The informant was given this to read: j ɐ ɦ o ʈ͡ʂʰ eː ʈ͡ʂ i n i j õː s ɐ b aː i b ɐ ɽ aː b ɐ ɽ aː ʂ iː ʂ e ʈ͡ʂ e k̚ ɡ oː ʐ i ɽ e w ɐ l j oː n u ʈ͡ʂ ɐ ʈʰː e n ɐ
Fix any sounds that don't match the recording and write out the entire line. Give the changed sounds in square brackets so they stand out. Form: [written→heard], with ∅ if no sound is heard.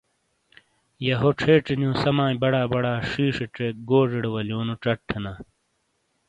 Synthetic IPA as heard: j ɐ ɦ o ʈ͡ʂʰ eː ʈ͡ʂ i n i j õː s ɐ [b→m] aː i b ɐ ɽ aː b ɐ ɽ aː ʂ iː ʂ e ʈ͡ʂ e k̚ ɡ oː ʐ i ɽ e w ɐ l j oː n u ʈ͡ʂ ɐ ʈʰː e n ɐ

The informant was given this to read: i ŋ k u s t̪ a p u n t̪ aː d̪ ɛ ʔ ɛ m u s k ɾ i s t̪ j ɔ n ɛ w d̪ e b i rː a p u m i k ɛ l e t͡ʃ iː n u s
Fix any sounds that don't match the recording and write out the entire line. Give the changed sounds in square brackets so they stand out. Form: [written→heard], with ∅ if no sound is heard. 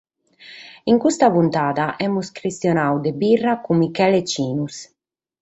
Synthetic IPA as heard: i ŋ k u s t̪ a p u n t̪ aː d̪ [ɛ→a] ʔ ɛ m u s k ɾ i s t̪ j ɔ n [ɛ→a] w d̪ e b i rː a [p→k] u m i k ɛ l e t͡ʃ iː n u s

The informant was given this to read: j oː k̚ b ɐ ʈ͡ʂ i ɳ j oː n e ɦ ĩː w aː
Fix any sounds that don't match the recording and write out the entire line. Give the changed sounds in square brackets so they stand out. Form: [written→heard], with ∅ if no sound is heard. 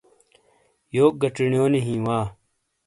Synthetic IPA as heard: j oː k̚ [b→ɡ] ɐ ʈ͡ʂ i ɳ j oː n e ɦ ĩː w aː

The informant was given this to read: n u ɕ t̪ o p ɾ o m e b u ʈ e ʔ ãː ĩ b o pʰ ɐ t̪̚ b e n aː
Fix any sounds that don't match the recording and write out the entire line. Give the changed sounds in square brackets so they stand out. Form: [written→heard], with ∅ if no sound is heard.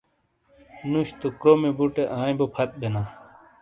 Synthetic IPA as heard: n u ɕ t̪ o [p→k] ɾ o m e b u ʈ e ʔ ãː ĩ b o pʰ ɐ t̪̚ b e n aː

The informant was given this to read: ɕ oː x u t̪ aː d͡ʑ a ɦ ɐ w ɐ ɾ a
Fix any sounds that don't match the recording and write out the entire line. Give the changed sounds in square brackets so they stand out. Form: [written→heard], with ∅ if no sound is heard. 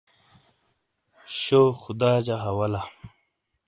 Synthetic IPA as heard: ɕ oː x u [t̪→d̪] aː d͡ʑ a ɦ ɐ w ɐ [ɾ→l] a

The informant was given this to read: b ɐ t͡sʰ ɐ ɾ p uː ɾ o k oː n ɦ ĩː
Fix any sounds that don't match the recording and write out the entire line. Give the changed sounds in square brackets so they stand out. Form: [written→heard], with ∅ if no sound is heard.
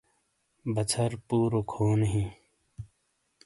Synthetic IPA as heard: b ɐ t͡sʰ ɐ ɾ p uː ɾ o [k→kʰ] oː n ɦ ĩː

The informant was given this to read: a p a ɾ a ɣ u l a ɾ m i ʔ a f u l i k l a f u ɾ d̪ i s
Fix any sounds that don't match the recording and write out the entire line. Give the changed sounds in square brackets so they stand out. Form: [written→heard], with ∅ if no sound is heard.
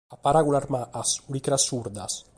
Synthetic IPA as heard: a p a ɾ a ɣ u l a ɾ m [i→a] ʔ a [f→s] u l i k [l→ɾ] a [f→s] u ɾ d̪ [i→a] s

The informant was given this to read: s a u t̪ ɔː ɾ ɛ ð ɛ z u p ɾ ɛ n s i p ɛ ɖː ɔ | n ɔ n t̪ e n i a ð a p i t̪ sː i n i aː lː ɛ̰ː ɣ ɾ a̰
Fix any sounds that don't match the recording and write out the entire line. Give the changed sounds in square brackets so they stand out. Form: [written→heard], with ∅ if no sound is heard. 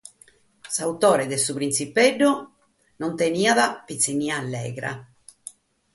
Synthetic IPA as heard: s a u t̪ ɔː ɾ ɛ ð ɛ [z→s] u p ɾ [ɛ→i] n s i p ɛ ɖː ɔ | n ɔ n t̪ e n i a ð a p i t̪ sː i n i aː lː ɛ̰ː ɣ ɾ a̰

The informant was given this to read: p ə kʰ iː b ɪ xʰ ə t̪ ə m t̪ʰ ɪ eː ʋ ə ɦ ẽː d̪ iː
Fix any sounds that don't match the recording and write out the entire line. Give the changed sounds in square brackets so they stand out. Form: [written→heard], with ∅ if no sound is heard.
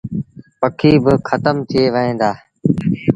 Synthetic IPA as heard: p ə kʰ iː b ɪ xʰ ə t̪ ə m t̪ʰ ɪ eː ʋ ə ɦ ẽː d̪ [iː→aː]

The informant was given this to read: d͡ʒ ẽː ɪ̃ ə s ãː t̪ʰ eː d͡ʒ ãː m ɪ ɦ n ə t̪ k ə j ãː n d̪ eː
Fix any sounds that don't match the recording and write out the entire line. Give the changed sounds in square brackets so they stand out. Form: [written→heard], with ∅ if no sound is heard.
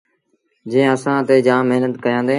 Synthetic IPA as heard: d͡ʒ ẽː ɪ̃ ə s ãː [t̪ʰ→t̪] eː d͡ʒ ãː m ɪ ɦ n ə t̪ k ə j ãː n d̪ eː

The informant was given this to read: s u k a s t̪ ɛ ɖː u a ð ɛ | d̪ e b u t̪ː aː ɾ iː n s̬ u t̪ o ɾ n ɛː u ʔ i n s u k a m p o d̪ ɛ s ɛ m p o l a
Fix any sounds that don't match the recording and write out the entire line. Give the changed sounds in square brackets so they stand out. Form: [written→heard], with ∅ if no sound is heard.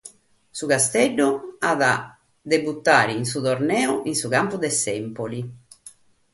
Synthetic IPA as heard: s u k a s t̪ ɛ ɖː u a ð [ɛ→a] | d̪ e b u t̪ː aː ɾ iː n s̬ u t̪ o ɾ n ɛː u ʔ i n s u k a m p [o→u] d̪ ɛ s ɛ m p o l [a→i]

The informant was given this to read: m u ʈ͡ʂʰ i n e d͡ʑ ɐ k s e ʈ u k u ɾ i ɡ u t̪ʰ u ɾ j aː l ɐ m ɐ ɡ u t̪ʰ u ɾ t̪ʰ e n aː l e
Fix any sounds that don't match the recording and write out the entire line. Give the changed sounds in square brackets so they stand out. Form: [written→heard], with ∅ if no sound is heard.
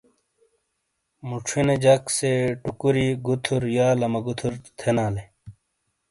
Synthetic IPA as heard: m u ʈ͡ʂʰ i n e d͡ʑ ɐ k s e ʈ u k u ɾ i ɡ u t̪ʰ u ɾ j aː l ɐ m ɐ ɡ u t̪ʰ u ɾ t̪ʰ e n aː l e

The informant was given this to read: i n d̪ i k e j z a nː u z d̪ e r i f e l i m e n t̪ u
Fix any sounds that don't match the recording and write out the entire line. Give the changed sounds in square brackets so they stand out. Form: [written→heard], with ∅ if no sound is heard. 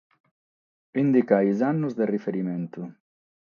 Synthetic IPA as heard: i n d̪ i k [e→a] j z a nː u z d̪ e r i f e [l→ɾ] i m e n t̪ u

